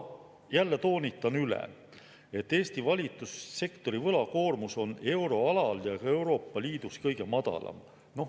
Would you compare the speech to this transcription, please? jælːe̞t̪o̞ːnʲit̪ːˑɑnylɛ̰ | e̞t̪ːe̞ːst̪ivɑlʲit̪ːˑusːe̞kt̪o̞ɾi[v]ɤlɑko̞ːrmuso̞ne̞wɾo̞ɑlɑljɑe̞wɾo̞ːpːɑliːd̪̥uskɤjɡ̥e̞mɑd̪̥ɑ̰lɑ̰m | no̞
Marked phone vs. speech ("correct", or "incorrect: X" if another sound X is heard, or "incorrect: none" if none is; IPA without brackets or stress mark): correct